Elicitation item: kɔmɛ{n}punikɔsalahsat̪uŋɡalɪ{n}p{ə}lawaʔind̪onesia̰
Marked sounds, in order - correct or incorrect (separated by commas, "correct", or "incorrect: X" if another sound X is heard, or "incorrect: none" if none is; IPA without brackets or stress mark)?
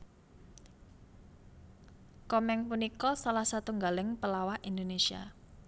incorrect: ŋ, incorrect: ŋ, correct